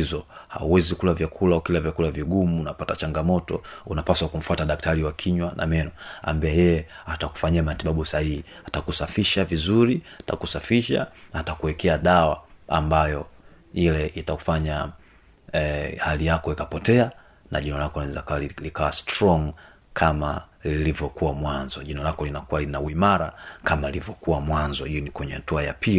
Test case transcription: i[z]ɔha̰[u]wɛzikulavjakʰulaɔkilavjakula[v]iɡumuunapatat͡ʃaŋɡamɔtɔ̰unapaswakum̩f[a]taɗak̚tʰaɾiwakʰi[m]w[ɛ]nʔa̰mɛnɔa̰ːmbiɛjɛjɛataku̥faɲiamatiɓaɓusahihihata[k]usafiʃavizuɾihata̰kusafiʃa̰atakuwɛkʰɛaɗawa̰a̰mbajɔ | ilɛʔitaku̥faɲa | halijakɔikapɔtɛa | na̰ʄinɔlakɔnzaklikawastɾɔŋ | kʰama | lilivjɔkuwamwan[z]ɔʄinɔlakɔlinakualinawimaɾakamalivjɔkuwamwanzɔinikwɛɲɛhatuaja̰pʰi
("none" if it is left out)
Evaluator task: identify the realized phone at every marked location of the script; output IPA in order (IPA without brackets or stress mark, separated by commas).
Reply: z, u, v, a, ɲ, a, k, z